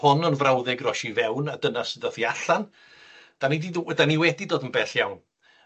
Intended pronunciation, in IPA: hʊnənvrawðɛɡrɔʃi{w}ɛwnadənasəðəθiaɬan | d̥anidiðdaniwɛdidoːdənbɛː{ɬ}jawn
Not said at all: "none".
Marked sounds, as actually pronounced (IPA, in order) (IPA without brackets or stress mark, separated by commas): v, ɬ